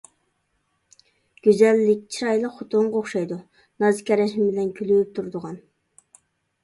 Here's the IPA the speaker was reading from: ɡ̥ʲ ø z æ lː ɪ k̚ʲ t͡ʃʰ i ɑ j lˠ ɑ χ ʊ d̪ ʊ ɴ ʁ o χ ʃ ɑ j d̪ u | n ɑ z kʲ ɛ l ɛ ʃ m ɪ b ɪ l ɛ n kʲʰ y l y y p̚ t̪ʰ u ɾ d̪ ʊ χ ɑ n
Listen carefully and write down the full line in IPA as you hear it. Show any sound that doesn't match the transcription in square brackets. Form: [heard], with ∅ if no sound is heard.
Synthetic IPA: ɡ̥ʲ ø z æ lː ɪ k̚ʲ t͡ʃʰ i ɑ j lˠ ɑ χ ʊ [t̪] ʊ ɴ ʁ o χ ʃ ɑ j d̪ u | n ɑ z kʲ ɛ [ɾ] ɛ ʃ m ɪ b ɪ l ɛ n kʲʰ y l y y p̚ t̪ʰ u ɾ d̪ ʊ [ʁ] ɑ n

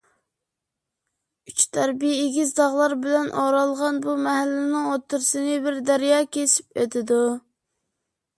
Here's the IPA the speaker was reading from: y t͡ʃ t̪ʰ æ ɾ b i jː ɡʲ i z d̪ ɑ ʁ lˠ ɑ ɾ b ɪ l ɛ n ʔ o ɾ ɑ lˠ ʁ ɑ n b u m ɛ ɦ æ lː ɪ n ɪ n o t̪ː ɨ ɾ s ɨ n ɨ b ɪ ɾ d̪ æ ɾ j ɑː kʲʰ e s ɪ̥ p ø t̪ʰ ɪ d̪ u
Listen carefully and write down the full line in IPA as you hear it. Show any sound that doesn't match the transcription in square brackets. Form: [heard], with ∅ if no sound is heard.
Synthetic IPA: y t͡ʃ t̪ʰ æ ɾ b i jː ɡʲ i z d̪ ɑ ʁ lˠ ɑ ɾ b ɪ l ɛ n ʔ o ɾ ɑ lˠ ʁ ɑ n b u m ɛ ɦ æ lː ɪ n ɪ [ŋ] o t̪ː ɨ ɾ s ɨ n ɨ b ɪ ɾ d̪ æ ɾ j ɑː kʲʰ e s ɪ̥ p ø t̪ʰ ɪ d̪ u

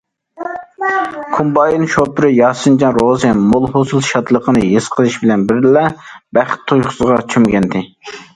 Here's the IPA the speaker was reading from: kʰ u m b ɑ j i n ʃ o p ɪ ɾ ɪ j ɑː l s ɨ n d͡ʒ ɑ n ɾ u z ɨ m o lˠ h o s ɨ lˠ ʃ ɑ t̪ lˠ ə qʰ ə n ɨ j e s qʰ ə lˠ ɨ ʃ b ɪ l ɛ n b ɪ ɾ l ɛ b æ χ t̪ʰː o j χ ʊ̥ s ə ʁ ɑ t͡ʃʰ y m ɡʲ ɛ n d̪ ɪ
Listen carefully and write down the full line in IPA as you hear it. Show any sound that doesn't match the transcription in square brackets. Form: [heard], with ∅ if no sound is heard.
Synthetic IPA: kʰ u m b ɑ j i n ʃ o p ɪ ɾ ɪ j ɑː [∅] s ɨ n d͡ʒ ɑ n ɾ [o] z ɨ m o lˠ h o s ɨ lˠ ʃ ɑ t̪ lˠ ə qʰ ə n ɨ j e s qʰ ə lˠ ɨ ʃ b ɪ l ɛ n b ɪ ɾ l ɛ b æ χ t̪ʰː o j χ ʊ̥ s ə ʁ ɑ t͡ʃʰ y m ɡʲ ɛ n d̪ ɪ

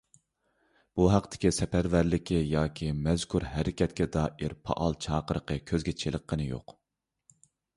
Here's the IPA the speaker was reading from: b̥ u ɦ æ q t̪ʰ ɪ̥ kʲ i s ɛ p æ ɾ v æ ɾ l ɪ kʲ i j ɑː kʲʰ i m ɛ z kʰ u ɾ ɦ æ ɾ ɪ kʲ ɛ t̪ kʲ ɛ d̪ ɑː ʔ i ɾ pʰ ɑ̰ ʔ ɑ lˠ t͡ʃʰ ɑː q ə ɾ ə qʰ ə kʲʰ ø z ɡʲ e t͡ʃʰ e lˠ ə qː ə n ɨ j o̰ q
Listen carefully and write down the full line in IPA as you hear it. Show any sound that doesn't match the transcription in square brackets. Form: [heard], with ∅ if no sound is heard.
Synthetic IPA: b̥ u ɦ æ q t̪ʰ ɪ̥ kʲ i s ɛ p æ ɾ v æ ɾ l ɪ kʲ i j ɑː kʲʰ i m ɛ z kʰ u ɾ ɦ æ ɾ ɪ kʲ ɛ t̪ kʲ ɛ d̪ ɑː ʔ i ɾ pʰ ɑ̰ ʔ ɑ lˠ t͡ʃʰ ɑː q ə ɾ ə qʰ ə kʲʰ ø z ɡʲ [ɛ] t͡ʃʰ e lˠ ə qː ə n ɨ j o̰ q

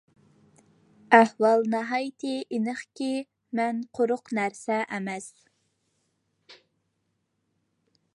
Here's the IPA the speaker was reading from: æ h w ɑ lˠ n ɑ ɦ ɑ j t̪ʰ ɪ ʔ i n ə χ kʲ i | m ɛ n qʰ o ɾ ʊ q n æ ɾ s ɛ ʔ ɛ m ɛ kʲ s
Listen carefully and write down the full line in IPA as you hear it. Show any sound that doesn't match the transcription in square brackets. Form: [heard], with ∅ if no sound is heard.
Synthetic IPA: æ h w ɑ lˠ n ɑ ɦ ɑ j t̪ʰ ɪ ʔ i n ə χ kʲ i | m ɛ n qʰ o ɾ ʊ q n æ ɾ s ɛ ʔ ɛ m ɛ [∅] s

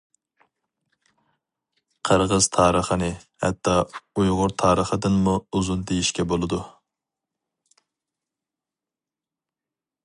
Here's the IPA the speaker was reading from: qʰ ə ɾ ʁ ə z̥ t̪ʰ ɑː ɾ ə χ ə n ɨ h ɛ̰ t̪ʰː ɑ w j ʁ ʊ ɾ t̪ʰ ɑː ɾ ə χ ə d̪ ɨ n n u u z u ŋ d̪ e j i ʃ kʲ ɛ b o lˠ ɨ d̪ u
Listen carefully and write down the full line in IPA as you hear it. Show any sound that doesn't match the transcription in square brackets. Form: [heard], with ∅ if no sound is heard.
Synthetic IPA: qʰ ə ɾ ʁ ə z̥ t̪ʰ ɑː ɾ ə χ ə n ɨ h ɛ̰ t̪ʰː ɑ [u] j ʁ ʊ ɾ t̪ʰ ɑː ɾ ə χ ə d̪ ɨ n [m] u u z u [n] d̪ e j i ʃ kʲ ɛ b o lˠ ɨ d̪ u

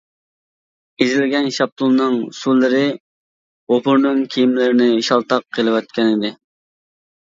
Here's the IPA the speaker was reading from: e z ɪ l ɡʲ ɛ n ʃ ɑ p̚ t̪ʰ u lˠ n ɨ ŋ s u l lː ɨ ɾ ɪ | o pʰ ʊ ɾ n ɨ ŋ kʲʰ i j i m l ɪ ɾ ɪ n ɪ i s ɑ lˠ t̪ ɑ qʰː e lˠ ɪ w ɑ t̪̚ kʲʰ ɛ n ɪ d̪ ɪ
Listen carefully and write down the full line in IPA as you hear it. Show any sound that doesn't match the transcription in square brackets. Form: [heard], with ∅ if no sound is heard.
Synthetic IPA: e z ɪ l ɡʲ ɛ n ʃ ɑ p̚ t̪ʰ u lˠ n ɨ ŋ s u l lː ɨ ɾ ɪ | o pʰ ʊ ɾ n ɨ ŋ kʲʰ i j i m l ɪ ɾ ɪ n ɪ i [ʃ] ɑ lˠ t̪ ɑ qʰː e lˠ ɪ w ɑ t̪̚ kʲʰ ɛ n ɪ d̪ ɪ

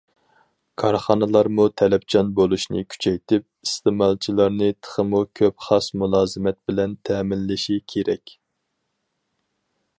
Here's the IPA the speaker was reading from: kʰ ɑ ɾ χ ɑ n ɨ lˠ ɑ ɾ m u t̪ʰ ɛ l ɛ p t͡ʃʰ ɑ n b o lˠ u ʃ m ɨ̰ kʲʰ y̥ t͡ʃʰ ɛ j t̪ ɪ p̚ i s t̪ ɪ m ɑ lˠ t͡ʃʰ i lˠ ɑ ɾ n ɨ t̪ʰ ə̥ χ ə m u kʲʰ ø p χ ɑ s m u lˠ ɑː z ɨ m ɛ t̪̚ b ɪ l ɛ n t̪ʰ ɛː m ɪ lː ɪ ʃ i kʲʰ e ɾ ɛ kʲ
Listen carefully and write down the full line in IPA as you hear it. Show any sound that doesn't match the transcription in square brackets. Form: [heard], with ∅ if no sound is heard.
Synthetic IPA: kʰ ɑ ɾ χ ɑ n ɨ lˠ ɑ ɾ m u t̪ʰ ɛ l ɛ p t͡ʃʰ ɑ n b o lˠ u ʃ [n] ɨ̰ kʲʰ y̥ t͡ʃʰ ɛ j t̪ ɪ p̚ i s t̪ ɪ m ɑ lˠ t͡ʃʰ i lˠ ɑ ɾ n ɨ t̪ʰ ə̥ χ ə m u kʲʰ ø p χ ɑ s m u lˠ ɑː z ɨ m ɛ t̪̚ b ɪ l ɛ n t̪ʰ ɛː m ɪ lː ɪ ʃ i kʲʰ e ɾ ɛ kʲ

